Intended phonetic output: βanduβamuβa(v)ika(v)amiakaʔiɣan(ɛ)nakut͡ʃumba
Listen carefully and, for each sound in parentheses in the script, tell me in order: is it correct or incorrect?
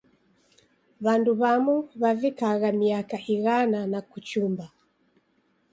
correct, incorrect: ɣ, incorrect: a

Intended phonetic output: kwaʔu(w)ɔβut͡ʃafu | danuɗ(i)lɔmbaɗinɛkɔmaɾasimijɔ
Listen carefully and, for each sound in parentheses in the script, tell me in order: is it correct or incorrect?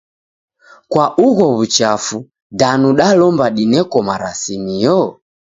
incorrect: ɣ, incorrect: a

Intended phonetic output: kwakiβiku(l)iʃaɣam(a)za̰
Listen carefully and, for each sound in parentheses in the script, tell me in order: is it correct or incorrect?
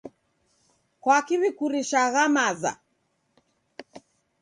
incorrect: ɾ, correct

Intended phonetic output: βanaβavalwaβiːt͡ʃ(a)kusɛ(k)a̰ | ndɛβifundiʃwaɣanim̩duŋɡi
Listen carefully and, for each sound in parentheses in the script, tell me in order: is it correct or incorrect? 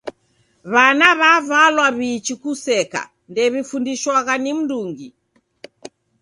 incorrect: i, correct

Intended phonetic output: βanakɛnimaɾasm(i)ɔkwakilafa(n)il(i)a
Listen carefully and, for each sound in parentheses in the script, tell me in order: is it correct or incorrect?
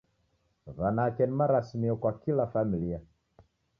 correct, incorrect: m, correct

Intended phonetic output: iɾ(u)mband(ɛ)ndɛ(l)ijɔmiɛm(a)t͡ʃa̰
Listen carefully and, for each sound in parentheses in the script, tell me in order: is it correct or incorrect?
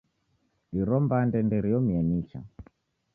incorrect: ɔ, correct, incorrect: ɾ, incorrect: i

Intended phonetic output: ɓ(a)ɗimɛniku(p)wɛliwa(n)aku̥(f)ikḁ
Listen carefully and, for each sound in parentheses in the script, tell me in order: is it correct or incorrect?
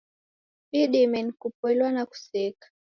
incorrect: i, correct, correct, incorrect: s

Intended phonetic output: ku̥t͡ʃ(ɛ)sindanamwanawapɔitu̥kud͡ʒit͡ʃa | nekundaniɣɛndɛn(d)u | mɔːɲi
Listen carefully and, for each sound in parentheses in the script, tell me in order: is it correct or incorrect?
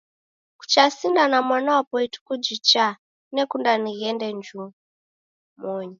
incorrect: a, incorrect: d͡ʒ

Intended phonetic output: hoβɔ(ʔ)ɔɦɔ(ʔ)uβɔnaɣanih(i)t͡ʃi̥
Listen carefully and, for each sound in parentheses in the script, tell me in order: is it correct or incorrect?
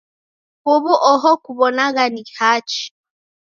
correct, incorrect: k, incorrect: a

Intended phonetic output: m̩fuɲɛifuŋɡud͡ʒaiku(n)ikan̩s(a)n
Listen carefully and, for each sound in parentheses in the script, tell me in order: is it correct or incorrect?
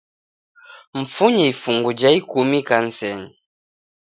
incorrect: m, incorrect: ɛ

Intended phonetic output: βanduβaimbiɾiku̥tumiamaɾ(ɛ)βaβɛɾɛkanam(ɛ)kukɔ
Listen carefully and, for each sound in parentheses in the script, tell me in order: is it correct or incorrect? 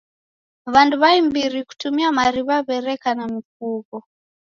incorrect: i, incorrect: i

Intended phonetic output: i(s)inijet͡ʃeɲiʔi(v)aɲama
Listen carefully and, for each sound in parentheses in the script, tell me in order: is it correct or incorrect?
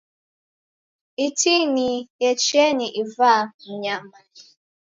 incorrect: t, correct

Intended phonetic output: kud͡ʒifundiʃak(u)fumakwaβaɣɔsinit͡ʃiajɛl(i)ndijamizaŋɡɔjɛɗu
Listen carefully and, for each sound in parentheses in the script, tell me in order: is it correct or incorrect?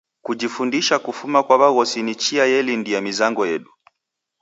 correct, correct

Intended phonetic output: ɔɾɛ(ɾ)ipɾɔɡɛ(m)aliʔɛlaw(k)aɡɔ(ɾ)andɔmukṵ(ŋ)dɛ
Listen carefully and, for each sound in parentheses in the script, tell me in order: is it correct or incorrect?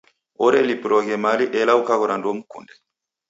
incorrect: l, correct, correct, correct, incorrect: n

